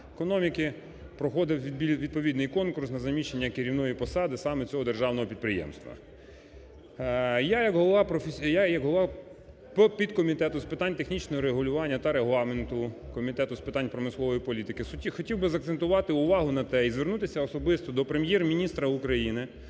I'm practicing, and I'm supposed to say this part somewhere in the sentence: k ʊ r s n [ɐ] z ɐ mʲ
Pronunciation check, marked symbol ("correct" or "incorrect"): correct